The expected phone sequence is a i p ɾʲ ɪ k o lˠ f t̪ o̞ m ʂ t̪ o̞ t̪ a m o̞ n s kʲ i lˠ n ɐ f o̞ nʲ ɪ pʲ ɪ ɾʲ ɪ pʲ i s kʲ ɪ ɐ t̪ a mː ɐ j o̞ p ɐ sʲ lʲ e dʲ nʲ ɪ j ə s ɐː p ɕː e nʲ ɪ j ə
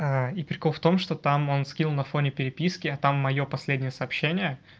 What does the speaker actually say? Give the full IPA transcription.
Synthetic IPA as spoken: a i p ɾʲ ɪ k o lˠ f t̪ o̞ m ʂ t̪ o̞ t̪ a m o̞ n s kʲ i lˠ n ɐ f o̞ nʲ ɪ pʲ ɪ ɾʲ ɪ pʲ i s kʲ ɪ ɐ t̪ a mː ɐ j o̞ p ɐ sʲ lʲ e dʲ nʲ ɪ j ə s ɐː p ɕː e nʲ ɪ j ə